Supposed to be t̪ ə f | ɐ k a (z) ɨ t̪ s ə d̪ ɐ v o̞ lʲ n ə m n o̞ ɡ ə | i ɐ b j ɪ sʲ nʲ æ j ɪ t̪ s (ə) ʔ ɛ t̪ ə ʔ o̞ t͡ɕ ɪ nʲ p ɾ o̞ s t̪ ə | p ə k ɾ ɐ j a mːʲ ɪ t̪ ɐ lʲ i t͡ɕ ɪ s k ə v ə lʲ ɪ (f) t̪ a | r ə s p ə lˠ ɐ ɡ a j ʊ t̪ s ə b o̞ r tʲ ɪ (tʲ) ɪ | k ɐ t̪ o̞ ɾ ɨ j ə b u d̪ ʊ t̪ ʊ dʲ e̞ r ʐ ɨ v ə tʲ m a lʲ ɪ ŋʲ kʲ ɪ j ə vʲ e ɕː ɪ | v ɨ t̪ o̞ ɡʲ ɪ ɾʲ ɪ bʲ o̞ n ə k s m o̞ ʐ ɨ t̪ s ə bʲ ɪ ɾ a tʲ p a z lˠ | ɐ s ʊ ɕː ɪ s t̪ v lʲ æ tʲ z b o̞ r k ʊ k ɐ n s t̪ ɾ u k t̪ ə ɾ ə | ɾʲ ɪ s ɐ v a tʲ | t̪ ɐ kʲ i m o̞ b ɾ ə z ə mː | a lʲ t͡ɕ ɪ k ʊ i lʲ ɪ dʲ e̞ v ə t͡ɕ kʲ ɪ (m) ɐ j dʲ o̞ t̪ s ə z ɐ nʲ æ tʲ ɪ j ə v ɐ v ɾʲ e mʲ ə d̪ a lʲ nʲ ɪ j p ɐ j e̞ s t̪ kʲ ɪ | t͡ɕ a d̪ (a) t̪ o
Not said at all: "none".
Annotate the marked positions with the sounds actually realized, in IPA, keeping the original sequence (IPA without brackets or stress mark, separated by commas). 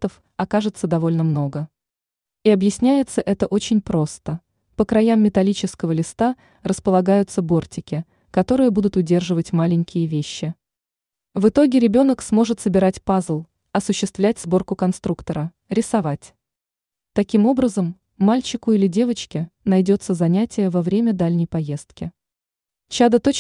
ʐ, ə, s, kʲ, n, ə